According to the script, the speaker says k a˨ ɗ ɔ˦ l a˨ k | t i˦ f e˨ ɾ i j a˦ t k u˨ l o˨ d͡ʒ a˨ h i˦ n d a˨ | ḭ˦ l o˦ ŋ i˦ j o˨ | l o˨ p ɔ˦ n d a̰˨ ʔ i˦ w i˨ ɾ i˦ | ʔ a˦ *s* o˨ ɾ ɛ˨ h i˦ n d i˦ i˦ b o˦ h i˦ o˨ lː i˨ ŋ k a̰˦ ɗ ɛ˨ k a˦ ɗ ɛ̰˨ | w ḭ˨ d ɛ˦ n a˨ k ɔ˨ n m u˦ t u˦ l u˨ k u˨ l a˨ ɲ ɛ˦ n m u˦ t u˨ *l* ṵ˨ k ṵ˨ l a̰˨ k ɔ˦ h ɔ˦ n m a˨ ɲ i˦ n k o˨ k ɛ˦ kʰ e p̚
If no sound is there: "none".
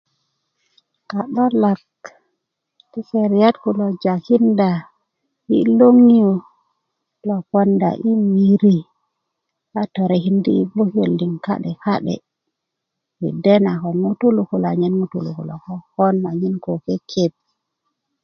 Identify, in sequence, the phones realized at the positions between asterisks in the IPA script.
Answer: t, l

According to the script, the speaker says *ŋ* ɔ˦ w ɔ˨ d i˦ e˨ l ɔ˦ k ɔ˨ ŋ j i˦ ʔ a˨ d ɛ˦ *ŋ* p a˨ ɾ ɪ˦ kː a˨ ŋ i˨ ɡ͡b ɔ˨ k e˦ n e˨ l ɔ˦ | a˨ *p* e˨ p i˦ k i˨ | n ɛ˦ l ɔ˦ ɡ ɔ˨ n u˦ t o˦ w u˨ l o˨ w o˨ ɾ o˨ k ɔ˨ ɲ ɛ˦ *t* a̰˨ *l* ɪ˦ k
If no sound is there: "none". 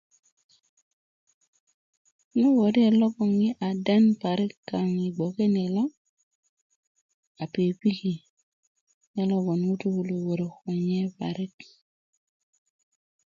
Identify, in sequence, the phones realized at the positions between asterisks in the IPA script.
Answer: n, n, p, p, ɾ

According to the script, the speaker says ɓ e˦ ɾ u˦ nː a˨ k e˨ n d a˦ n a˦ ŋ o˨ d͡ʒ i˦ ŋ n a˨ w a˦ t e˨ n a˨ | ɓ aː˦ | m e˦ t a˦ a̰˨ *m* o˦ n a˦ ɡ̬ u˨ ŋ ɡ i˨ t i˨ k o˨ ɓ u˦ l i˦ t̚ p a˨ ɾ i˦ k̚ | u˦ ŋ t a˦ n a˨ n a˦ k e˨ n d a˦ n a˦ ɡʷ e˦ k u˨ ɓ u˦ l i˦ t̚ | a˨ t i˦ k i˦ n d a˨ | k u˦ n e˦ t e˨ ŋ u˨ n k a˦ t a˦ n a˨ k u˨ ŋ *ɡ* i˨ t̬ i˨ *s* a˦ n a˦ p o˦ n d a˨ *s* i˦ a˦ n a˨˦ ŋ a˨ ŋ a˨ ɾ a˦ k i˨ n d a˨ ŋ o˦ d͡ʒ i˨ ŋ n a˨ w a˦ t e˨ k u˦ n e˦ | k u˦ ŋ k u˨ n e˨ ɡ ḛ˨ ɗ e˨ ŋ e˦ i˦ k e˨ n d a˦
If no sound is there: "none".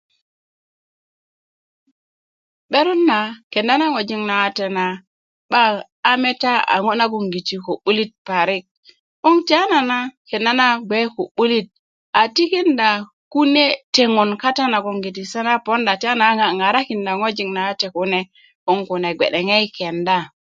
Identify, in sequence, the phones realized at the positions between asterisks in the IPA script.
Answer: ŋ, ɡ, s, t

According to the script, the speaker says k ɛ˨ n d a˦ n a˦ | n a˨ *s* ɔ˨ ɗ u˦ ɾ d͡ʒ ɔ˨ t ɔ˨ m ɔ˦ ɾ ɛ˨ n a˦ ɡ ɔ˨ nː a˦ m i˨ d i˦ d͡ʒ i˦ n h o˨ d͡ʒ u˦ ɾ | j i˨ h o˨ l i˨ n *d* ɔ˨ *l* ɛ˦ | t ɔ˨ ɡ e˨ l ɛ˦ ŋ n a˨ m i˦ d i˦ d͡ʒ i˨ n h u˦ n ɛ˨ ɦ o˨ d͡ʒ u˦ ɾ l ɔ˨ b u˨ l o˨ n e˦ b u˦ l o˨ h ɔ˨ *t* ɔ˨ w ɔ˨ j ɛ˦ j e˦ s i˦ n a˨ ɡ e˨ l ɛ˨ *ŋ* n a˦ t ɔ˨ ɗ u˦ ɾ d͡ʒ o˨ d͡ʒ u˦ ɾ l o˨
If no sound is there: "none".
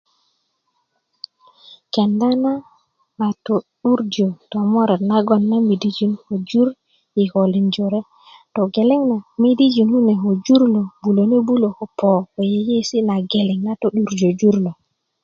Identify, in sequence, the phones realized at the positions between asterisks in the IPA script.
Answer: t, d͡ʒ, ɾ, p, ŋ

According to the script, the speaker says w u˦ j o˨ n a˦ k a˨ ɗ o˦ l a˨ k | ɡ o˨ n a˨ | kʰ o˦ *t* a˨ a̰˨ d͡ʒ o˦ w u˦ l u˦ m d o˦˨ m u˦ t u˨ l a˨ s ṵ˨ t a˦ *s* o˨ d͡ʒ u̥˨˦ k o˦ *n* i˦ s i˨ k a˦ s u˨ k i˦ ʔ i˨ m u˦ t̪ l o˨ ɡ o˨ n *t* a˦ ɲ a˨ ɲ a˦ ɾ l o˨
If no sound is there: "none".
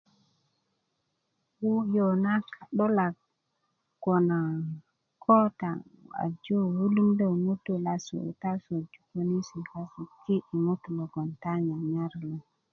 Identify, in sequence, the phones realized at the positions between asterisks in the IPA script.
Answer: t, s, n, t

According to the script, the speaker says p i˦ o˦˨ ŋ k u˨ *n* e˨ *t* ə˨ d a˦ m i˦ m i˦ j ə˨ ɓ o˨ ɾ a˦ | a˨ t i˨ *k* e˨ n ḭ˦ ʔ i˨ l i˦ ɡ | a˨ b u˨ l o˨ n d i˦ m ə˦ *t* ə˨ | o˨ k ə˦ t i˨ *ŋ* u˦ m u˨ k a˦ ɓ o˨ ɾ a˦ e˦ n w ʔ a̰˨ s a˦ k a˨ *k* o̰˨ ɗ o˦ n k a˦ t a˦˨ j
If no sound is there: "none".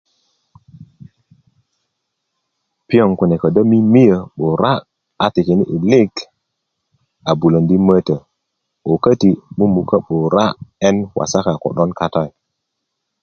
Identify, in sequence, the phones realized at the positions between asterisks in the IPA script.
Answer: n, k, k, t, m, k

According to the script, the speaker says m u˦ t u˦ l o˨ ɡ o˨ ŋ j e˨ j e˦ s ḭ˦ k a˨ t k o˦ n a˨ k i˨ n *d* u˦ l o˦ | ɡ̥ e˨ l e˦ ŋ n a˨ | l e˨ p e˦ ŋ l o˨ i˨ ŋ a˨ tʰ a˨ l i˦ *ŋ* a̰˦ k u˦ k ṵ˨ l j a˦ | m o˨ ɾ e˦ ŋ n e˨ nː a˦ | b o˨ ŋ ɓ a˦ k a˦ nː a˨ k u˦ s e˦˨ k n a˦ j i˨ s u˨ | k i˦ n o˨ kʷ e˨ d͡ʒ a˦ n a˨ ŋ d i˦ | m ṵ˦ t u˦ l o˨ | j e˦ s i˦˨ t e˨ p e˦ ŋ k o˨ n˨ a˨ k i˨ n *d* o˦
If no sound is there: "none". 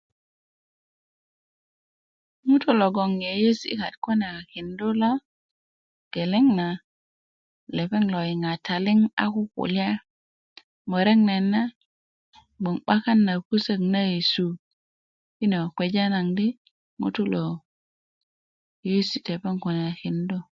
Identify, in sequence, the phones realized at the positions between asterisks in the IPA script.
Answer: d, ŋ, d

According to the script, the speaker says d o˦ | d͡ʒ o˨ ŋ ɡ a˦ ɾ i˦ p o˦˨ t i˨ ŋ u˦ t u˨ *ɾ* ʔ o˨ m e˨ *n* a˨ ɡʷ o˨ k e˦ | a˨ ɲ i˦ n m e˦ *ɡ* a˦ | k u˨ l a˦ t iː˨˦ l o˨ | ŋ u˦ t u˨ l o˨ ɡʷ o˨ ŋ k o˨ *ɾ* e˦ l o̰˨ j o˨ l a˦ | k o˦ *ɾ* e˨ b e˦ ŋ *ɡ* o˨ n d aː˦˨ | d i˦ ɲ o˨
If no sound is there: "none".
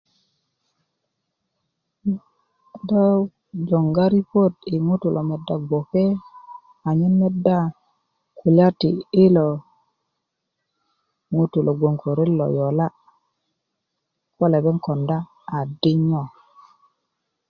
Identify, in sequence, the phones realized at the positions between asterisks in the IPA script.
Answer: l, d, d, ɾ, l, k

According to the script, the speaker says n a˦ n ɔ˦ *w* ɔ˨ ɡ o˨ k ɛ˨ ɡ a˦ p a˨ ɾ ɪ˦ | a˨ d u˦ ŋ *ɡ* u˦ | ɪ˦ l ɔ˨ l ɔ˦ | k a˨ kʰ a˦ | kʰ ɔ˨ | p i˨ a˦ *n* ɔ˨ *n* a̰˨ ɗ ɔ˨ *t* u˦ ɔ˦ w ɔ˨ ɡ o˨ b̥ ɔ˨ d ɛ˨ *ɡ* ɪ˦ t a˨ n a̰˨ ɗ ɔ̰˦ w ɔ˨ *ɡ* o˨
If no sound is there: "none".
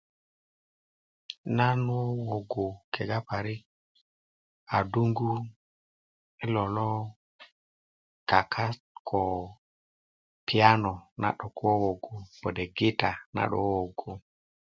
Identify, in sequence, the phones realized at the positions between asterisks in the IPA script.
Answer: w, ɡ, n, n, k, ɡ, ɡ

